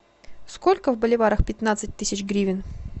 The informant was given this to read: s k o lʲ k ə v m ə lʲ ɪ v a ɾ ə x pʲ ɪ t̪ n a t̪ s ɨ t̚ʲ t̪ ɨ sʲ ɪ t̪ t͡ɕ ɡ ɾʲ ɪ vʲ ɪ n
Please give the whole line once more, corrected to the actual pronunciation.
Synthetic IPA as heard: s k o lʲ k ə v b ə lʲ ɪ v a ɾ ə x pʲ ɪ t̪ n a t̪ s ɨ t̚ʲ t̪ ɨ sʲ ɪ t͡ɕ ɡ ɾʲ i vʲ ɪ n